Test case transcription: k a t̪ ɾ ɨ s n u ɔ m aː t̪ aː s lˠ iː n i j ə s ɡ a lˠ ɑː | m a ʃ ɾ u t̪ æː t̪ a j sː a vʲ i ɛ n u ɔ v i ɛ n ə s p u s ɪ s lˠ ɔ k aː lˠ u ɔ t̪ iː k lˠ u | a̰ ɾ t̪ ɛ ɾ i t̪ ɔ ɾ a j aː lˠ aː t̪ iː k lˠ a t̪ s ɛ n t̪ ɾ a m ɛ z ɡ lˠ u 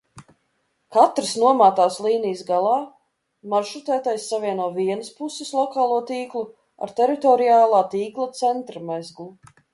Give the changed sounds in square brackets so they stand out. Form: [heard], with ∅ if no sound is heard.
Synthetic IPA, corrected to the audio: k a t̪ ɾ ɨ s n u ɔ m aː t̪ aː s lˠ iː n i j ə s ɡ a lˠ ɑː | m a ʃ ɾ u t̪ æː t̪ a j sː a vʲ i ɛ n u ɔ v i ɛ n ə s p u s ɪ s lˠ ɔ k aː lˠ u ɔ t̪ iː k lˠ u | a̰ ɾ t̪ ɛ ɾ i t̪ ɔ ɾ [i] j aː lˠ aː t̪ iː k lˠ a t̪ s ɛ n t̪ ɾ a m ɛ z ɡ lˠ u